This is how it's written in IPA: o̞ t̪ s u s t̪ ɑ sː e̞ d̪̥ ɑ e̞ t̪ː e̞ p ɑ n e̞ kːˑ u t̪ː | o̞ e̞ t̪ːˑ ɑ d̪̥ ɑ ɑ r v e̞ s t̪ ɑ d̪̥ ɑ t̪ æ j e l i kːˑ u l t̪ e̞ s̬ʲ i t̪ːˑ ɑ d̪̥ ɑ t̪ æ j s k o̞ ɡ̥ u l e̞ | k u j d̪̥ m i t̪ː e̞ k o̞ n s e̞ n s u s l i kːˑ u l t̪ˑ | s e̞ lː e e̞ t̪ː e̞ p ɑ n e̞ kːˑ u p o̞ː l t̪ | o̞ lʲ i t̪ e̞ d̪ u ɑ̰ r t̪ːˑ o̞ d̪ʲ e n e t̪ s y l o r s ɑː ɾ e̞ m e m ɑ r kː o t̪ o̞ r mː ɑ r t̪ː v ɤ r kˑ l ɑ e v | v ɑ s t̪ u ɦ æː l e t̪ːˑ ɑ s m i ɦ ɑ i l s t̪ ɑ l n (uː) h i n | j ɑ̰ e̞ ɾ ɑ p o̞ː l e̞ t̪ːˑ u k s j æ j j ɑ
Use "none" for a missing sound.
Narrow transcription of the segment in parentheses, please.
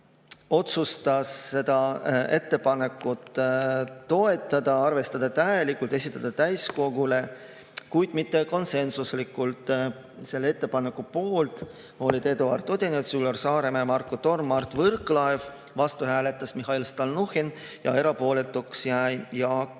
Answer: u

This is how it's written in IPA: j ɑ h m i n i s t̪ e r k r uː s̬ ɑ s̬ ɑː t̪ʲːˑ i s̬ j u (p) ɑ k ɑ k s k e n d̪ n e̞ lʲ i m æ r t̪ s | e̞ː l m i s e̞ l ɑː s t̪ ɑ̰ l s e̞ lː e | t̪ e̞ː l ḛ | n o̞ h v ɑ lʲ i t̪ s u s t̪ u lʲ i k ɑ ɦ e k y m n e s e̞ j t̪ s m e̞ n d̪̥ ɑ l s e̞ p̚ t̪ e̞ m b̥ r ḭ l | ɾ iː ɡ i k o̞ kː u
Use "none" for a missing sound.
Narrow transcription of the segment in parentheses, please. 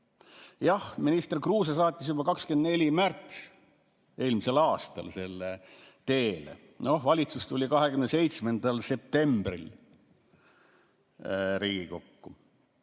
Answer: b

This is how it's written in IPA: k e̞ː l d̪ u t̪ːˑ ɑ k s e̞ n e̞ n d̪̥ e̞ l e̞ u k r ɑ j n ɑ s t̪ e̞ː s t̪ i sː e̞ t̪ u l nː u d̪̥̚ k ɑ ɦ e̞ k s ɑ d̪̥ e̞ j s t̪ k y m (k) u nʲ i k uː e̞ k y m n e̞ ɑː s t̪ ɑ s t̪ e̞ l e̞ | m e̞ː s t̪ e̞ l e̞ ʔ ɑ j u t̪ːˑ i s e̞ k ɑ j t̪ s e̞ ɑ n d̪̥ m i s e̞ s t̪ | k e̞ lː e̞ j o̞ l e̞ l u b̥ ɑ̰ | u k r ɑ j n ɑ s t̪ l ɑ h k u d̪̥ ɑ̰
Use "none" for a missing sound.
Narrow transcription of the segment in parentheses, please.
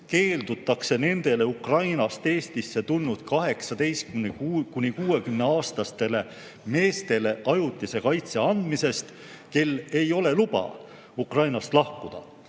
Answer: k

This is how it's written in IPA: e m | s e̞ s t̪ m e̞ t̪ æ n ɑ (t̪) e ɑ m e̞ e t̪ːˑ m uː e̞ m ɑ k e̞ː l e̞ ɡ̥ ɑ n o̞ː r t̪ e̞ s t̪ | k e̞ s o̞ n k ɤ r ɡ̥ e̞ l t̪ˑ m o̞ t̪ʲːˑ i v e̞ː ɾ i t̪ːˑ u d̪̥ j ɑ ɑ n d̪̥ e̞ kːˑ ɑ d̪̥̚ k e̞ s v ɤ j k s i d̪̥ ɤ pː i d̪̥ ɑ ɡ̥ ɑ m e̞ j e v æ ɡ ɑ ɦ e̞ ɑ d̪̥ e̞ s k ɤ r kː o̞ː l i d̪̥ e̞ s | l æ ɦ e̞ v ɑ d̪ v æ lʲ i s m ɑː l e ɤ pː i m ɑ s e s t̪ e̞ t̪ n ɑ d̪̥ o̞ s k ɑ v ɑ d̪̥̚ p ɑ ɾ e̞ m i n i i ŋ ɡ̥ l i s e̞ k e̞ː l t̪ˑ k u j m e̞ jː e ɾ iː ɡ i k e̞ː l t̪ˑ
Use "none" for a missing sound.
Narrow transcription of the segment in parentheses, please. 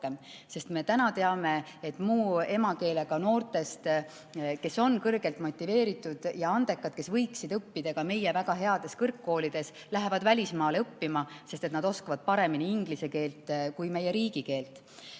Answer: t̪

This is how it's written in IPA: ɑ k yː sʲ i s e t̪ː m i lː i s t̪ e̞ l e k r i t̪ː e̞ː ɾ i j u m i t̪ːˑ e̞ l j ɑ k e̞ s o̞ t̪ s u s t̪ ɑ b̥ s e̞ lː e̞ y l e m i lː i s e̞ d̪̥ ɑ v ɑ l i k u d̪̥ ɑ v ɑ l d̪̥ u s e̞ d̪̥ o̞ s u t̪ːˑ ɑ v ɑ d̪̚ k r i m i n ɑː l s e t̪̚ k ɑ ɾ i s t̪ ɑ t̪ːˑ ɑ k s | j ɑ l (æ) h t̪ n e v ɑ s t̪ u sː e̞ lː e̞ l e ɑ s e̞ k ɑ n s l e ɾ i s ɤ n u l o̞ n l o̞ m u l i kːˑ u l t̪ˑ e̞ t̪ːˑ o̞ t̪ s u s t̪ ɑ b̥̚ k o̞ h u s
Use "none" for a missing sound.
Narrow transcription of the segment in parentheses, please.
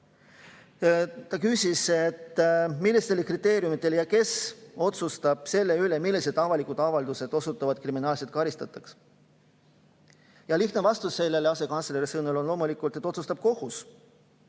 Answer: i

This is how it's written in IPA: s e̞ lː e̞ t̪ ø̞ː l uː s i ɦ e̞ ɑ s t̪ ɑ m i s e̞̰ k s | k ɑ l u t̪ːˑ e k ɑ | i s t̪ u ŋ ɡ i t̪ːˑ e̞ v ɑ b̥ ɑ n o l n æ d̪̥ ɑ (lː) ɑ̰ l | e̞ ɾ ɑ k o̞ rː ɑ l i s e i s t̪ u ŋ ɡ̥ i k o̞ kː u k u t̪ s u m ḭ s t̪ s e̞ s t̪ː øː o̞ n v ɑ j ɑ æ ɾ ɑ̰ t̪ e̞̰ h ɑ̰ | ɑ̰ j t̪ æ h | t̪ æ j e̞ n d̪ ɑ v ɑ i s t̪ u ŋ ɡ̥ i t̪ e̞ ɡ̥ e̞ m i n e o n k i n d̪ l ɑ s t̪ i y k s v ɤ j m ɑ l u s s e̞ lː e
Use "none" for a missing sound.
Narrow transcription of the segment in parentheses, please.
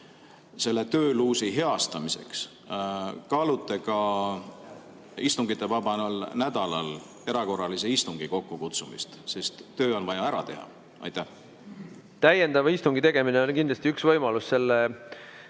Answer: l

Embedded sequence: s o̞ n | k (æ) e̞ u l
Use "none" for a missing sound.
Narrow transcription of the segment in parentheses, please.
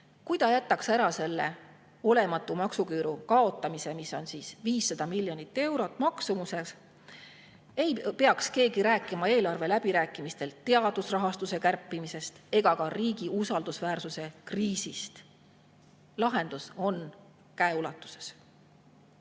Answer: æ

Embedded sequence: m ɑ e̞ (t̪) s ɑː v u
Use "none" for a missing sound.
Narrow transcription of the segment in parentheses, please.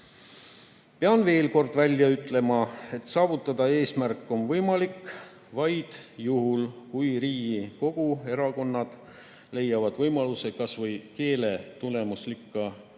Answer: t̪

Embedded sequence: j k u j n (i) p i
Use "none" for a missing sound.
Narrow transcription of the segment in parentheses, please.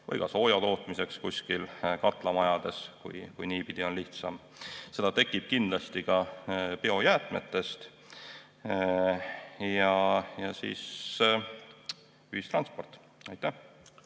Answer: iː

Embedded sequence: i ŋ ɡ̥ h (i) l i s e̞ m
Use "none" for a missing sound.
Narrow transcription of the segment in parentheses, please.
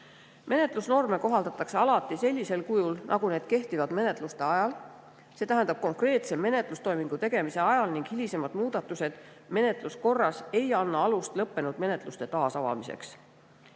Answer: i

